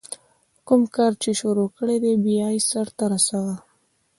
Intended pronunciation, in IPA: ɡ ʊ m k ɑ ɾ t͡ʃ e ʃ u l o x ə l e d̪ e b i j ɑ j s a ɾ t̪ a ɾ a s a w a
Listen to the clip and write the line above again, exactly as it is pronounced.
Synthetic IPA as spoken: k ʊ m k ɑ ɾ t͡ʃ e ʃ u ɾ o k ə ɽ e d̪ e b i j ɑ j s a ɾ t̪ a ɾ a s a w a

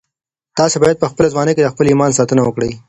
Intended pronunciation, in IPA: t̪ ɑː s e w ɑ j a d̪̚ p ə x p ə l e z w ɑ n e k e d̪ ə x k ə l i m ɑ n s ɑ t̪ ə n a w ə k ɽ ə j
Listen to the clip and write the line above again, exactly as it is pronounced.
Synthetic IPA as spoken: t̪ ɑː s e b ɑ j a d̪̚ p ə x p ə l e z w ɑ n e k e d̪ ə x p ə l i m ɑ n s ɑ t̪ ə n a w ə k ɽ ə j

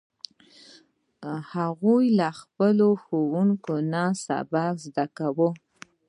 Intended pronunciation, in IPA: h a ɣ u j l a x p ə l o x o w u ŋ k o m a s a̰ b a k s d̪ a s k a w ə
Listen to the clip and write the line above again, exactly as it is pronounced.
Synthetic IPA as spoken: h a ɣ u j l a x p ə l o x o w u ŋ k o n a s a̰ b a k z d̪ a k a w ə

